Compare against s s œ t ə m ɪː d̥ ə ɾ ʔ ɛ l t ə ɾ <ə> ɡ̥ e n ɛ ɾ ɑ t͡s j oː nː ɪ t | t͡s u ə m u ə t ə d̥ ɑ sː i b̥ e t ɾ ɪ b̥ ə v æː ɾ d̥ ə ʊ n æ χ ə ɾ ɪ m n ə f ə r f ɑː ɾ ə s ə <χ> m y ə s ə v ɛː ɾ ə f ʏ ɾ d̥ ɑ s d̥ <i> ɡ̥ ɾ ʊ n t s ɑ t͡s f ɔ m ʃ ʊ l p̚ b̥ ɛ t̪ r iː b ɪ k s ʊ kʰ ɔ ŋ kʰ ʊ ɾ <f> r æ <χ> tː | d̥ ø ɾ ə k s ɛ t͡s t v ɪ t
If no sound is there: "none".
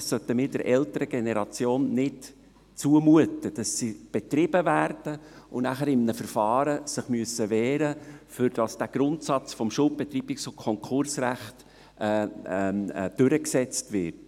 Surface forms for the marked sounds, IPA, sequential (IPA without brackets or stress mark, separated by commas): ə, χ, æ, s, χ